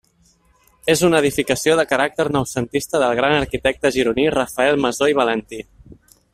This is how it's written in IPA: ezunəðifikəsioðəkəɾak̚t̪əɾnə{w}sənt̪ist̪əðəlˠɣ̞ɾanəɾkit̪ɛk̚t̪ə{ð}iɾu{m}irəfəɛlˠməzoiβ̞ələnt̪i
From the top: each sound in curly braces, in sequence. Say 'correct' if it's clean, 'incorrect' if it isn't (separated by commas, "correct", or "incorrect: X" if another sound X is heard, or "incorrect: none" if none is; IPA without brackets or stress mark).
correct, incorrect: ʒ, incorrect: n